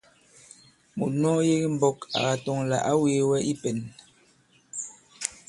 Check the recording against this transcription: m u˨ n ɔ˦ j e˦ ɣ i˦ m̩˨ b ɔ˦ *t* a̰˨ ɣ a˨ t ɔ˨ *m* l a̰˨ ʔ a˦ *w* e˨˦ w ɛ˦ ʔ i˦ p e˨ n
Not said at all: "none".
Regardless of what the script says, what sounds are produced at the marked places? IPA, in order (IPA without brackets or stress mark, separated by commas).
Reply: k, ŋ, w